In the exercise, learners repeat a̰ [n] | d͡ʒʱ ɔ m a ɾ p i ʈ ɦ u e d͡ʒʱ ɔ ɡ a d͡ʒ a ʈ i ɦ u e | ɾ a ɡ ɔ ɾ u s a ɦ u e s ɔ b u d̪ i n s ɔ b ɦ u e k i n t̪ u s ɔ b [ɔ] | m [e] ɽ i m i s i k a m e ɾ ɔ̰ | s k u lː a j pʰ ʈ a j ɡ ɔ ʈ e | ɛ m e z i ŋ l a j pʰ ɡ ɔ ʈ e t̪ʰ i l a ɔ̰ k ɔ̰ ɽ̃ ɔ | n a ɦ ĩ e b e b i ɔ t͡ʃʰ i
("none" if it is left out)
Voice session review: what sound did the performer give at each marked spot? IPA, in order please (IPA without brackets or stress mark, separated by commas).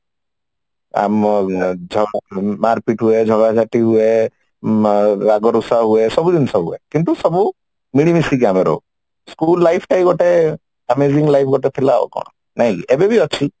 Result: m, u, i